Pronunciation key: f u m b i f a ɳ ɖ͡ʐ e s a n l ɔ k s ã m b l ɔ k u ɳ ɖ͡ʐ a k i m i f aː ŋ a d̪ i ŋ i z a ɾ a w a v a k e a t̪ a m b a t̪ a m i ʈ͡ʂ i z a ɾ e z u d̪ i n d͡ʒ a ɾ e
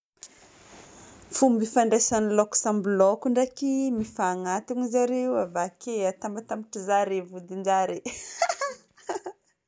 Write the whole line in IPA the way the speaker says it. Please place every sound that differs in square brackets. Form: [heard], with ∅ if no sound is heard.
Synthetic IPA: f u m b i f a ɳ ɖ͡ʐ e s a n l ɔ k s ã m b l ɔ k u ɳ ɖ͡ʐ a k i m i f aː ŋ a [t̪] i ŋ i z a ɾ [e] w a v a k e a t̪ a m b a t̪ a m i ʈ͡ʂ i z a ɾ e [v] u d̪ i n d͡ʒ a ɾ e